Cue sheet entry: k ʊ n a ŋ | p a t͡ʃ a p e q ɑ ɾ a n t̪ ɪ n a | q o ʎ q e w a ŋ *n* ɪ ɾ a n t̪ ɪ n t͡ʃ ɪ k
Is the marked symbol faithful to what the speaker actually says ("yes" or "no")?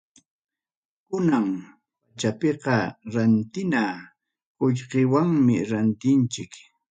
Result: no